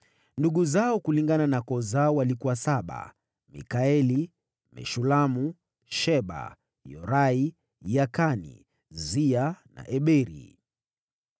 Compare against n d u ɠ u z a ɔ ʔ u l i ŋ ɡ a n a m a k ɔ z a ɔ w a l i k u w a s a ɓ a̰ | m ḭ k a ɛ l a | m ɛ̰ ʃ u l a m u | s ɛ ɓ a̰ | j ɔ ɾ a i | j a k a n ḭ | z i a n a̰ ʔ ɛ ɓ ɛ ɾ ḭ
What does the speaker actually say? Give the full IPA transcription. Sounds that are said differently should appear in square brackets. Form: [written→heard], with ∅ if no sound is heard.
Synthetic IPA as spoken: n d u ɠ u z a ɔ [ʔ→k] u l i ŋ ɡ a n a [m→n] a k ɔ z a ɔ w a l i k u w a s a ɓ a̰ | m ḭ k a ɛ l [a→i] | m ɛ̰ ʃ u l a m u | [s→ʃ] ɛ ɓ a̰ | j ɔ ɾ a i | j a k a n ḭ | z i a n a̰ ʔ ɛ ɓ ɛ ɾ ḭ